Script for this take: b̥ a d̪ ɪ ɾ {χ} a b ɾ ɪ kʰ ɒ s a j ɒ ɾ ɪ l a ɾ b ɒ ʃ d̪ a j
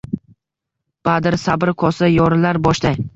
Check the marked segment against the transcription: incorrect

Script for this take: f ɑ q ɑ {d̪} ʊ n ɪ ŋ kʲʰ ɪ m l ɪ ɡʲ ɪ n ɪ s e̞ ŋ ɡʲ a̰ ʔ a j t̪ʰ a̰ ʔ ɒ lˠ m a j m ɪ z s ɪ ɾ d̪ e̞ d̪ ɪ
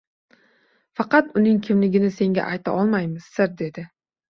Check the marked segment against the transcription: incorrect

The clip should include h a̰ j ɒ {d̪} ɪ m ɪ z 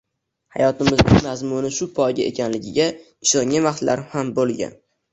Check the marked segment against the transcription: incorrect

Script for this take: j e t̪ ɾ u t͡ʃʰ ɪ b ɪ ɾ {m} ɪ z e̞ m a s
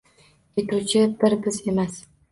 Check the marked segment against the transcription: incorrect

